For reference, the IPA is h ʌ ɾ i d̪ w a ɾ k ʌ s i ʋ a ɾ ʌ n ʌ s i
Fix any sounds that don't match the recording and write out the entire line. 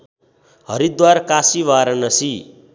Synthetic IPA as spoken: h ʌ ɾ i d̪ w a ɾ k a s i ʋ a ɾ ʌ n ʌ s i